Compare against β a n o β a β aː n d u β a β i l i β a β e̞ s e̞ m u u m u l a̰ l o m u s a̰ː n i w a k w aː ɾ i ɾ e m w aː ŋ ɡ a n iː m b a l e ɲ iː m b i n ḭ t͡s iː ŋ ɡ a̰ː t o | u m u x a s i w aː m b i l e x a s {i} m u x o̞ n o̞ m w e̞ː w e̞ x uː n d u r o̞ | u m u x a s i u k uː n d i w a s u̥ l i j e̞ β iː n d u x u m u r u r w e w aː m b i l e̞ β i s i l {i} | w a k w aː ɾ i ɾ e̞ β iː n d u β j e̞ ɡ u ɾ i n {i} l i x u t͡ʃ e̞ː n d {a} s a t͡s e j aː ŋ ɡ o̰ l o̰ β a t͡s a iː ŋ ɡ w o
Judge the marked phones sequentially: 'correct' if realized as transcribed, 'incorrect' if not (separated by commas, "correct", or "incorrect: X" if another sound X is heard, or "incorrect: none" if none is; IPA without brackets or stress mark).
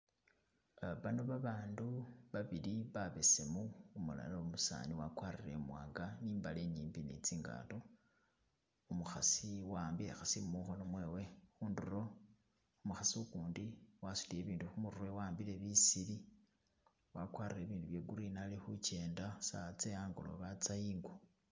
correct, correct, incorrect: a, correct